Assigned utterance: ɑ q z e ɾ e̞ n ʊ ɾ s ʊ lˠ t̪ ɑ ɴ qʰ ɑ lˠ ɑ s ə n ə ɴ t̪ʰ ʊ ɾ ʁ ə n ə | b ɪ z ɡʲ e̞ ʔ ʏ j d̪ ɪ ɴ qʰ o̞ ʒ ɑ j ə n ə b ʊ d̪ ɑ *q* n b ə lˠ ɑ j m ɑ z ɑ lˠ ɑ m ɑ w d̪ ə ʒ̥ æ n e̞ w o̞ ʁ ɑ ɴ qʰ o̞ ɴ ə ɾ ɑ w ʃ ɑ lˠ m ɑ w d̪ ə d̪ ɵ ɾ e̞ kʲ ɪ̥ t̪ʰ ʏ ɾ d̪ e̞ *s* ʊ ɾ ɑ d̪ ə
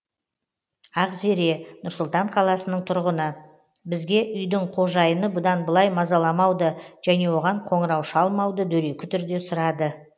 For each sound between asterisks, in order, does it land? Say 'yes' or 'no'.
no, yes

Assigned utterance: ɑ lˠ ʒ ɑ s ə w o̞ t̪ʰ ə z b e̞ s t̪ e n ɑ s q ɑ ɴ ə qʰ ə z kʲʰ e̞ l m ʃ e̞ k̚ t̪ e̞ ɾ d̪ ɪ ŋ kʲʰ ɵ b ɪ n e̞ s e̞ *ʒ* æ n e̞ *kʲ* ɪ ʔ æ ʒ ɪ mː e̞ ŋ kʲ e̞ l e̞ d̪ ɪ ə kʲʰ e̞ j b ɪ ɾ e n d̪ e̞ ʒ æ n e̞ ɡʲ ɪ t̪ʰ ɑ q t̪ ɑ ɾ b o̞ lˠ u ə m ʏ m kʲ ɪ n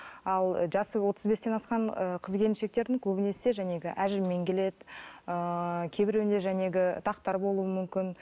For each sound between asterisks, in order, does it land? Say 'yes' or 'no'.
yes, no

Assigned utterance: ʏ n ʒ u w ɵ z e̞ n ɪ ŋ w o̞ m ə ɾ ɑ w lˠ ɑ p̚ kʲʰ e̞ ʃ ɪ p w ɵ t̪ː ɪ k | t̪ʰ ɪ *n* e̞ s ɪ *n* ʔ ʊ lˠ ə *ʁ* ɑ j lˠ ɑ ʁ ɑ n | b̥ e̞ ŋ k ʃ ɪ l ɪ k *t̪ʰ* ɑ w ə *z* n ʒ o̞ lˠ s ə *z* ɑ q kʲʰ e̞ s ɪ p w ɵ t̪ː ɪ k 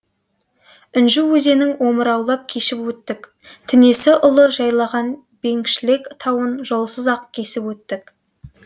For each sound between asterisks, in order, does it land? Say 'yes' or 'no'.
yes, no, no, yes, no, yes

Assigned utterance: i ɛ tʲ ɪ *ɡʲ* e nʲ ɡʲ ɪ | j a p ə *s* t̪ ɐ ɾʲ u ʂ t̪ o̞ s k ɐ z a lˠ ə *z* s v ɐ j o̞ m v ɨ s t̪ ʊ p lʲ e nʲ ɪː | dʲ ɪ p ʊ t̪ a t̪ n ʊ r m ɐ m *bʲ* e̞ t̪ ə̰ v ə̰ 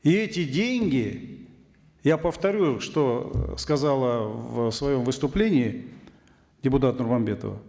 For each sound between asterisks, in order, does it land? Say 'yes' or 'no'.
no, no, no, yes

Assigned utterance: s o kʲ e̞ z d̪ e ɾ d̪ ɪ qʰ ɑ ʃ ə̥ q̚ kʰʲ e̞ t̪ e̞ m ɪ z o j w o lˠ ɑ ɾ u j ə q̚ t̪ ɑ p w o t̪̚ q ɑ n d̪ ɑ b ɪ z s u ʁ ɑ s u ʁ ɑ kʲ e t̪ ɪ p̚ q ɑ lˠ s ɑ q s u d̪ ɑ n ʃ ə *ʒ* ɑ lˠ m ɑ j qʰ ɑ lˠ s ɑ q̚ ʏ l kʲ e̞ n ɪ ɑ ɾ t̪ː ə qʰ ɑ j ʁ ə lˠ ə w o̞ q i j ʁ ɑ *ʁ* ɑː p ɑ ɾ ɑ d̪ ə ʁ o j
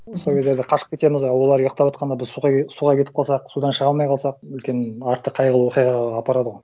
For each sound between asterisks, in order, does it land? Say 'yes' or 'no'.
no, yes

